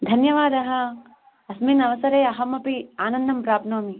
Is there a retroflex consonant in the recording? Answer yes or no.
no